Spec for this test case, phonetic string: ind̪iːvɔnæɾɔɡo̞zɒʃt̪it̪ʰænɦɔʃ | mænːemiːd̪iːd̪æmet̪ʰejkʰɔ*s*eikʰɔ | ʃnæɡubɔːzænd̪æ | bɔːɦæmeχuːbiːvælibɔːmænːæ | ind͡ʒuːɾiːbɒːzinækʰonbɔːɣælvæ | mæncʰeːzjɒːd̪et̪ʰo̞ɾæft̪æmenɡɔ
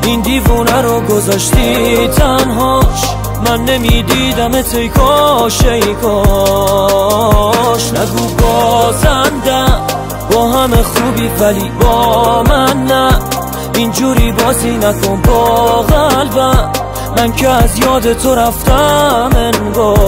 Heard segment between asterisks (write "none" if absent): ʃ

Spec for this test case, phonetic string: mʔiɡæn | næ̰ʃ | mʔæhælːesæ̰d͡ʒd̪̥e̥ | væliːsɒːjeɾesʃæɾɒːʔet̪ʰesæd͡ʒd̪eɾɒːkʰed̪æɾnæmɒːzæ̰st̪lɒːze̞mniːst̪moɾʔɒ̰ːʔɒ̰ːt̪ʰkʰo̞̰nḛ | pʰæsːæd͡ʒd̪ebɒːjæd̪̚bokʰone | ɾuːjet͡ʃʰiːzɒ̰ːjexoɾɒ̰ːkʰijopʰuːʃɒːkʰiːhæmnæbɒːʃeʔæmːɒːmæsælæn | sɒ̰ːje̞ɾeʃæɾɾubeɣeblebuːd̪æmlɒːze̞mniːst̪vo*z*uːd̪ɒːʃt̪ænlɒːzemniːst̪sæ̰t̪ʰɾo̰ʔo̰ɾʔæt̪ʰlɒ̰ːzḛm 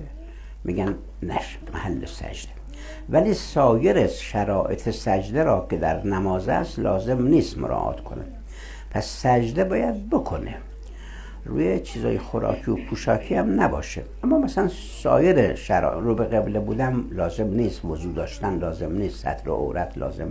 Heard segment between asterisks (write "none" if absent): z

